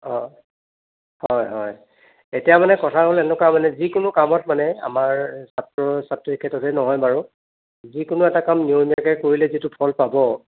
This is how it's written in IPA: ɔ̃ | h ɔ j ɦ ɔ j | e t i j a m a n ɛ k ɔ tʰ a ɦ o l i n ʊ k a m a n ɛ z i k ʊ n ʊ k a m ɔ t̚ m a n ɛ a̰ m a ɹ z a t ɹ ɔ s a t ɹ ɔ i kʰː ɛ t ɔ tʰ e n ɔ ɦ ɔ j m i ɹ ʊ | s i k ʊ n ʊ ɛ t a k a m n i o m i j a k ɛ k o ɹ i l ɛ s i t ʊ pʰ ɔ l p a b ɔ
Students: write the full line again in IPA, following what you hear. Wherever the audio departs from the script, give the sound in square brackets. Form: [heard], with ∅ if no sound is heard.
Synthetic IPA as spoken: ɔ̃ | h ɔ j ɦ ɔ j | e t i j a m a n ɛ k ɔ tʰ a ɦ o l [ɛ] n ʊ k a m a n ɛ z i k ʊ n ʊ k a m ɔ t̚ m a n ɛ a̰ m a ɹ [s] a t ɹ ɔ s a t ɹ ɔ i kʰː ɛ t ɔ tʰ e n ɔ ɦ ɔ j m [a] ɹ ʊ | [z] i k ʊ n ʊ ɛ t a k a m n i o m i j a k ɛ k o ɹ i l ɛ [z] i t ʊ pʰ ɔ l p a b ɔ